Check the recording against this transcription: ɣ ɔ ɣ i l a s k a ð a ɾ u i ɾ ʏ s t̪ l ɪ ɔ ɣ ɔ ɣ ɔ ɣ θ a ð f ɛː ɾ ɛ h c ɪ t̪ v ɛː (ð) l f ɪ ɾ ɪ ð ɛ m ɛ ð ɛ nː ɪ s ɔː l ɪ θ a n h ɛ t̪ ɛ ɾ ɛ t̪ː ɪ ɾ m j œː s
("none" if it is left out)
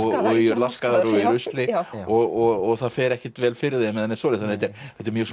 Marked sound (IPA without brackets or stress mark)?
none